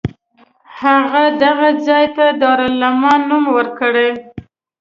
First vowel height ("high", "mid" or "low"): low